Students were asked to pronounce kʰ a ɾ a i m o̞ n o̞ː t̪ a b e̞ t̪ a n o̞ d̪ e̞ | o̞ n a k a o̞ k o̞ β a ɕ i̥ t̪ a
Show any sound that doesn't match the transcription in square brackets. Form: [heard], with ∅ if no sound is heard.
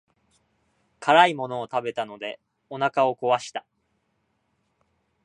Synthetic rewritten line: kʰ a ɾ a i m o̞ n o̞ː t̪ a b e̞ t̪ a n o̞ d̪ e̞ | o̞ n a k a o̞ k o̞ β a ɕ i̥ t̪ a

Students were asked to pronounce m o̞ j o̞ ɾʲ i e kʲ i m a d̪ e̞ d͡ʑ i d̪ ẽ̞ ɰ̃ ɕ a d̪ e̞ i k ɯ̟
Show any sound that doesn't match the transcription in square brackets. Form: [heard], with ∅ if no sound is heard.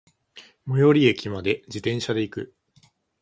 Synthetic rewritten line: m o̞ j o̞ ɾʲ i e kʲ i m a d̪ e̞ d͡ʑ i [t̪] ẽ̞ ɰ̃ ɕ a d̪ e̞ i k ɯ̟

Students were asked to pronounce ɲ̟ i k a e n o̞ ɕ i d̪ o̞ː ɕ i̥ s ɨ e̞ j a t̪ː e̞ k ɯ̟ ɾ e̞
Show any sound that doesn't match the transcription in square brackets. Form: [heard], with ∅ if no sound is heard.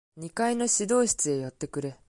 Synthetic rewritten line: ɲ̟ i k a [i] n o̞ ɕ i d̪ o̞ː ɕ i̥ [t͡s] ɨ e̞ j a t̪ː e̞ k ɯ̟ ɾ e̞

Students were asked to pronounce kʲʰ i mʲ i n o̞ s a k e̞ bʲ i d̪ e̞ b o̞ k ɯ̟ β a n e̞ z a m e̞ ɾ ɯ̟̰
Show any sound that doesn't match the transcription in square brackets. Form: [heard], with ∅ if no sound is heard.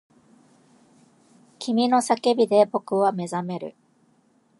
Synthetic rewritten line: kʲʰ i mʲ i n o̞ s a k e̞ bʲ i d̪ e̞ b o̞ k ɯ̟ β a [m] e̞ z a m e̞ ɾ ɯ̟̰

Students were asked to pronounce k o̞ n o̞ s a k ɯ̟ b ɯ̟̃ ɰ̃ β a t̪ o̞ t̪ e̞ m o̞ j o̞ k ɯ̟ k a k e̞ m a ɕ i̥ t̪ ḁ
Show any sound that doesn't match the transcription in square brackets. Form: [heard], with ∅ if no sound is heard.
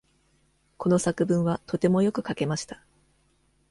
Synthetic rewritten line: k o̞ n o̞ s a k ɯ̟ b ɯ̟̃ ɰ̃ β a t̪ o̞ t̪ e̞ m o̞ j o̞ k ɯ̟ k a k e̞ m a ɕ i̥ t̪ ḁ

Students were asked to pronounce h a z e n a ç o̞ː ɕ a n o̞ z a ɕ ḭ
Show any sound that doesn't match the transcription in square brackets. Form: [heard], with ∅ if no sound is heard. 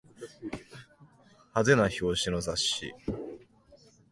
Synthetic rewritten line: h a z e n a ç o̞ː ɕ [i] n o̞ z a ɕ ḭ

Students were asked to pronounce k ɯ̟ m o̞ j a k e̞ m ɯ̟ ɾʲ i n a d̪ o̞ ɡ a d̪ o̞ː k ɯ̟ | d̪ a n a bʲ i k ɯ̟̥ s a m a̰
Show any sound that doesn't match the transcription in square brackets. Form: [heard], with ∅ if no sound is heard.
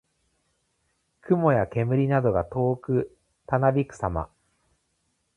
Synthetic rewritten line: k ɯ̟ m o̞ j a k e̞ m ɯ̟ ɾʲ i n a d̪ o̞ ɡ a [t̪] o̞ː k ɯ̟ | [t̪] a n a bʲ i k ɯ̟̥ s a m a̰

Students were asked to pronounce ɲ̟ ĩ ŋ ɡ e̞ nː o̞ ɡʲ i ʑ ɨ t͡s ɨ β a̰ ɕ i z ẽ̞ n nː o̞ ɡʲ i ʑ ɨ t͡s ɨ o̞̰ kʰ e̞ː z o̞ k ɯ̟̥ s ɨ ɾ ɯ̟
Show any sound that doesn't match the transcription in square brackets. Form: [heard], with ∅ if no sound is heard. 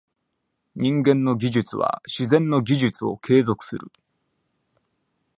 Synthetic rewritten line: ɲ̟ ĩ ŋ ɡ [ẽ̞] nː o̞ ɡʲ i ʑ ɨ t͡s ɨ β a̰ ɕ i z ẽ̞ n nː o̞ ɡʲ i ʑ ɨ t͡s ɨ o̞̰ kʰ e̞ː z o̞ k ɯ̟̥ s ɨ ɾ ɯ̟

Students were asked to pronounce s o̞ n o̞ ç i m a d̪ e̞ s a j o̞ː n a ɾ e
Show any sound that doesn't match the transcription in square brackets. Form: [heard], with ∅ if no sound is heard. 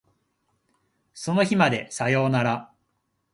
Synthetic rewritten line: s o̞ n o̞ ç i m a d̪ e̞ s a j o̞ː n a ɾ [a]

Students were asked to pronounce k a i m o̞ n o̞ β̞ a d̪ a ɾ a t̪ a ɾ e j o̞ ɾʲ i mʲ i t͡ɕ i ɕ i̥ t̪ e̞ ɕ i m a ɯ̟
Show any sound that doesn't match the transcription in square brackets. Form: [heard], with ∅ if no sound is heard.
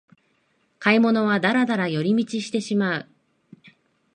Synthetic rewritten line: k a i m o̞ n o̞ β̞ a d̪ a ɾ a [d̪] a ɾ [a] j o̞ ɾʲ i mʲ i t͡ɕ i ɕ i̥ t̪ e̞ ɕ i m a ɯ̟

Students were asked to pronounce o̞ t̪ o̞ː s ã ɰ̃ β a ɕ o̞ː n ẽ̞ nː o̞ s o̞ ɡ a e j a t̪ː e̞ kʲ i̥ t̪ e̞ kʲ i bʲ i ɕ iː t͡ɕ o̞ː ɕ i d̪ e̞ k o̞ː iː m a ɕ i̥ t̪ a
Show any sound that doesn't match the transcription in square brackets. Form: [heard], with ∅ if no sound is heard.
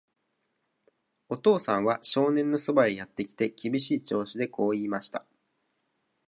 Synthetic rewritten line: o̞ t̪ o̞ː s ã ɰ̃ β a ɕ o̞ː n ẽ̞ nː o̞ s o̞ [b] a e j a t̪ː e̞ kʲ i̥ t̪ e̞ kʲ i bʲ i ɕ iː t͡ɕ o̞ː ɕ i d̪ e̞ k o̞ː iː m a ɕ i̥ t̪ a

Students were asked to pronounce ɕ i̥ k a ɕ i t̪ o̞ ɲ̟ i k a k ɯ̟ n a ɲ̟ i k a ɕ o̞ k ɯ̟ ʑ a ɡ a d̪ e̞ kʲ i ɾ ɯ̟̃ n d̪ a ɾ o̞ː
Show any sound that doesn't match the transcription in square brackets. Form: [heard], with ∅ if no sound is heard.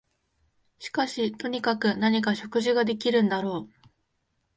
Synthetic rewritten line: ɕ i̥ k a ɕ i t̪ o̞ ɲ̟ i k a k ɯ̟ n a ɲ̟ i k a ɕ o̞ k ɯ̟ ʑ [i] ɡ a d̪ e̞ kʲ i ɾ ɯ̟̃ n d̪ a ɾ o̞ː

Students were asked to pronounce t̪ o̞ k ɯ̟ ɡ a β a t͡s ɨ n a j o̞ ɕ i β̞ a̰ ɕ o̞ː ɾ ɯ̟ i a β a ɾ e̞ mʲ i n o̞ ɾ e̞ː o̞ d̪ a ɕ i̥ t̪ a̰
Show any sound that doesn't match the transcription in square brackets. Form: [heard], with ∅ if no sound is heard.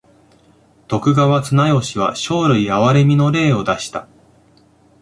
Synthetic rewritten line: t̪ o̞ k ɯ̟ ɡ a β a t͡s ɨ n a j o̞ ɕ i β̞ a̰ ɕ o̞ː ɾ ɯ̟ i a β a ɾ e̞ mʲ i n o̞ ɾ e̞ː o̞ d̪ a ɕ i̥ t̪ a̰

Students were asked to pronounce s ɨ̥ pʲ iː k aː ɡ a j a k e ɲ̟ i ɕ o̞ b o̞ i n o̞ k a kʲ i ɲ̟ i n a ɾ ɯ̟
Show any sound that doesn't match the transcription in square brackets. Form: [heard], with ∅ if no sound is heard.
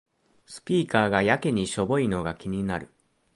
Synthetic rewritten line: s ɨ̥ pʲ iː k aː ɡ a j a k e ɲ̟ i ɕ o̞ b o̞ i n o̞ [ɡ] a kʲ i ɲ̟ i n a ɾ ɯ̟

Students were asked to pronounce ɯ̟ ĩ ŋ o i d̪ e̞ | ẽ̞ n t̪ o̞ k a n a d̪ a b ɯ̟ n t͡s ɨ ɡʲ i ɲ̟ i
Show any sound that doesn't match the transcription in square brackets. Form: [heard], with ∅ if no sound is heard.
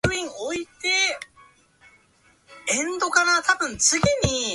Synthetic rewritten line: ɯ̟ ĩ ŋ o i [t̪] e̞ | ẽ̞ n [d̪] o̞ k a n a [t̪] a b [ɯ̟̃] n t͡s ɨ ɡʲ i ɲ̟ i

